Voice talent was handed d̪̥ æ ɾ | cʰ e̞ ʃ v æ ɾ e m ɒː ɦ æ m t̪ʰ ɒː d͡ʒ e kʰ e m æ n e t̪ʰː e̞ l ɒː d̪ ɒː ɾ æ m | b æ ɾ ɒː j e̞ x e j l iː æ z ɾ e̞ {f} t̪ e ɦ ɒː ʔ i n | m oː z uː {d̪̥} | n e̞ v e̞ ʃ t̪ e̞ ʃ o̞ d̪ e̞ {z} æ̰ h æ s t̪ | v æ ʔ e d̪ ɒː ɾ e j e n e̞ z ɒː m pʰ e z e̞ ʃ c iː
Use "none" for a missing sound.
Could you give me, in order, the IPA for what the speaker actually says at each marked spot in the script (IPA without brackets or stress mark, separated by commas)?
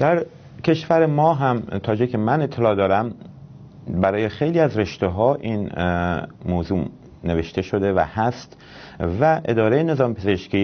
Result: ʃ, none, v